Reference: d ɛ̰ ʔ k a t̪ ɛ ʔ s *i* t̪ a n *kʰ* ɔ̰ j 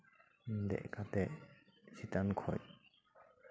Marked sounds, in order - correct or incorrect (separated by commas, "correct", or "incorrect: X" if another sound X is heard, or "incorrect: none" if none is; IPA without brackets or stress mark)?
correct, correct